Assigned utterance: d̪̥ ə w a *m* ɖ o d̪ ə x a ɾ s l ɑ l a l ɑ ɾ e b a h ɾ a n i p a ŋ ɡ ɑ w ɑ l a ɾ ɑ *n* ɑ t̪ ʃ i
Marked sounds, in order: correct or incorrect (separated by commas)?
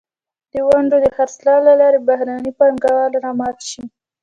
incorrect, incorrect